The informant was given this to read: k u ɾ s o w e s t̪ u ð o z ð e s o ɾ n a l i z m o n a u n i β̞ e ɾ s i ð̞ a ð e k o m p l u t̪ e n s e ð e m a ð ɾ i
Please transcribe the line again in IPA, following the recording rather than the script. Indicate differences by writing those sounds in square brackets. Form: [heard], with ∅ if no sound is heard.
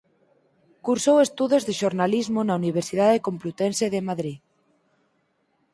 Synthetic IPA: k u ɾ s o w e s t̪ u ð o z ð e [ʃ] o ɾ n a l i z m o n a u n i β̞ e ɾ s i ð̞ a ð e k o m p l u t̪ e n s e ð e m a ð ɾ i